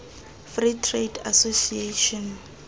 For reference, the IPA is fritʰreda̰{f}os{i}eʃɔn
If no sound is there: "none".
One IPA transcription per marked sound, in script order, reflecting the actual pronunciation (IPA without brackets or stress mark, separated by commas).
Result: s, i